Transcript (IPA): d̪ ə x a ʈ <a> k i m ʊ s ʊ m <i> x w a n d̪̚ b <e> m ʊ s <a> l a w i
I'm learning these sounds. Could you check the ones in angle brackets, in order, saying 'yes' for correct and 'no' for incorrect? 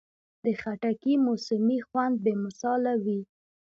yes, yes, yes, no

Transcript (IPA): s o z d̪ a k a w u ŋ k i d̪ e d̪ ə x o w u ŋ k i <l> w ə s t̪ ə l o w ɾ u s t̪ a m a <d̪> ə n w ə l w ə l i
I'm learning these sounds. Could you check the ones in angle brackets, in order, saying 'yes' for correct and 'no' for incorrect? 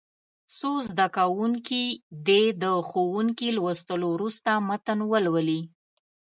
yes, no

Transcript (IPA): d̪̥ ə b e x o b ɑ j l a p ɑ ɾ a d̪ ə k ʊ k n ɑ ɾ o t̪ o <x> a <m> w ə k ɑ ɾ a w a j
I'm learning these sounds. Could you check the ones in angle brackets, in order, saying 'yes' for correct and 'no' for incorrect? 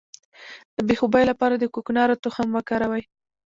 yes, yes

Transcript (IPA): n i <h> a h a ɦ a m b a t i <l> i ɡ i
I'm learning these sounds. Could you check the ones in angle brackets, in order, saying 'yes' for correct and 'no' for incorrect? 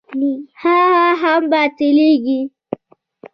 yes, yes

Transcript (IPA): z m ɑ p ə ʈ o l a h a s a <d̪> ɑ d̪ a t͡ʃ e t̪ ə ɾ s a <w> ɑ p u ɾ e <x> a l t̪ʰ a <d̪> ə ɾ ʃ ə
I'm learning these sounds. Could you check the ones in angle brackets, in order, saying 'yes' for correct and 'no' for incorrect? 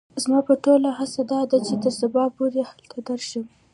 yes, no, no, yes

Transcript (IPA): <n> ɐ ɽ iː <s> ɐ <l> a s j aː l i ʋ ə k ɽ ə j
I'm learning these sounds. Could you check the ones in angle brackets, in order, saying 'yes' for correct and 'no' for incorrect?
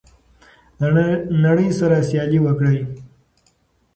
yes, yes, no

